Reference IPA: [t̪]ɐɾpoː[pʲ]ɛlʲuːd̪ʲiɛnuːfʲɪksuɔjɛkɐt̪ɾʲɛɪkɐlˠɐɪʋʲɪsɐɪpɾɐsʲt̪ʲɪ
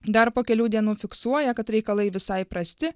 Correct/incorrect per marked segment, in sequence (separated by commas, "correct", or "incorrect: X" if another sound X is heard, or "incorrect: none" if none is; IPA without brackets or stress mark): incorrect: d̪, incorrect: kʲ